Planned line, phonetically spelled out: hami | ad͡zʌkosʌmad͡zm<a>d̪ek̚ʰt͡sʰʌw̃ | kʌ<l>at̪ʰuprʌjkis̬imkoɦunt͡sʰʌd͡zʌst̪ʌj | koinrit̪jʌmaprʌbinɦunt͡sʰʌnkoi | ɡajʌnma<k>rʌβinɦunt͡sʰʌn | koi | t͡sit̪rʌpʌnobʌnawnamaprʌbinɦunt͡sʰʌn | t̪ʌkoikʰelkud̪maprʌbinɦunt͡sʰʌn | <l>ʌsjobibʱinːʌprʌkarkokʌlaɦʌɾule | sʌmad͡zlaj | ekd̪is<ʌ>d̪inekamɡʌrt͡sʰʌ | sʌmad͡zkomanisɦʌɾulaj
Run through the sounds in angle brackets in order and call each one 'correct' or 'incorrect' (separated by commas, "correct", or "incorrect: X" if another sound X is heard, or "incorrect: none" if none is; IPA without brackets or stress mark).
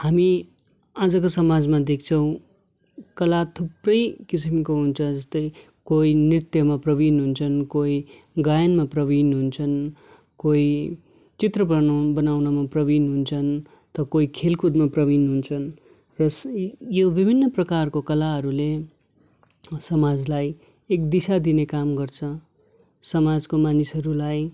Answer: correct, correct, incorrect: p, incorrect: r, incorrect: a